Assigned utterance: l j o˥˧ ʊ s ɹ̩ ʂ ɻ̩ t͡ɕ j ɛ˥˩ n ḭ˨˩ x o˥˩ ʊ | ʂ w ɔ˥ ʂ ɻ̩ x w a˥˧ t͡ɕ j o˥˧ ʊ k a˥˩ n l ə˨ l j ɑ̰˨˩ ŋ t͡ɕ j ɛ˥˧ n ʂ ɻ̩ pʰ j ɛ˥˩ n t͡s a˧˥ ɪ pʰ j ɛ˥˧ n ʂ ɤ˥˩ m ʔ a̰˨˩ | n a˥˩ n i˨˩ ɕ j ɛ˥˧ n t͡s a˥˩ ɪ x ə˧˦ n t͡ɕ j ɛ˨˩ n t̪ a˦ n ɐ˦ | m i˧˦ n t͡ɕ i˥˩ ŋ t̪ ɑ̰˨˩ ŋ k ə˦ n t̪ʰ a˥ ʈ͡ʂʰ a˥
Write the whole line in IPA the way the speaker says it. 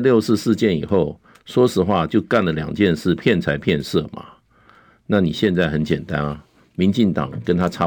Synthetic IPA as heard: l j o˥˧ ʊ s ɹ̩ ʂ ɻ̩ t͡ɕ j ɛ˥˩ n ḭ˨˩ x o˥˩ ʊ | ʂ w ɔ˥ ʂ ɻ̩ x w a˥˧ t͡ɕ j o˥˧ ʊ k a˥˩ n l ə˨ l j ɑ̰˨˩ ŋ t͡ɕ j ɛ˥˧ n ʂ ɻ̩ pʰ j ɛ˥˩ n t͡sʰ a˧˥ ɪ pʰ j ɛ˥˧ n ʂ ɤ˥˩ m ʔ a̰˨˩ | n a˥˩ n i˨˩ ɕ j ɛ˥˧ n t͡s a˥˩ ɪ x ə˧˦ n t͡ɕ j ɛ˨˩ n t̪ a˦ n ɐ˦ | m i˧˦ n t͡ɕ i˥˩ ŋ t̪ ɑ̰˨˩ ŋ k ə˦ n t̪ʰ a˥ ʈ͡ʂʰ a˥